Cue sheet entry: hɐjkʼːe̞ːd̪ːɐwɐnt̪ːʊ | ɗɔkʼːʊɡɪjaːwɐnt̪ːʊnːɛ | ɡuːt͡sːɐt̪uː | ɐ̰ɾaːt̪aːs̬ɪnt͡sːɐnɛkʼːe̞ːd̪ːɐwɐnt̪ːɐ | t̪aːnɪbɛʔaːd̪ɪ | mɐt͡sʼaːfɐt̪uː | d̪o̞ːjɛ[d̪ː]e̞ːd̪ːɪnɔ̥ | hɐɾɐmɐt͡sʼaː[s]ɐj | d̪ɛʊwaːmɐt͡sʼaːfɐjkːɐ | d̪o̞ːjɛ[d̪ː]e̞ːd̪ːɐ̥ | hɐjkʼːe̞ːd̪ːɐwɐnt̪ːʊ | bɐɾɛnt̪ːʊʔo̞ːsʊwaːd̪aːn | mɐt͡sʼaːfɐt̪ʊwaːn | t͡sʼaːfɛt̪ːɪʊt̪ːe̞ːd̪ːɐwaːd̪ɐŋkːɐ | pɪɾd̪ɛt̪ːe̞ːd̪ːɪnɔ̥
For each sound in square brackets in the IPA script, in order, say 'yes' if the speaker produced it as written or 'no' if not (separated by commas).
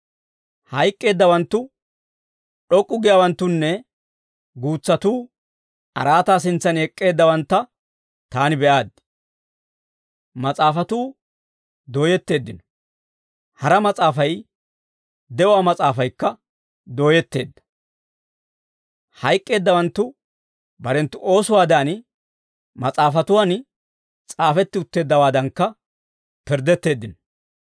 no, no, no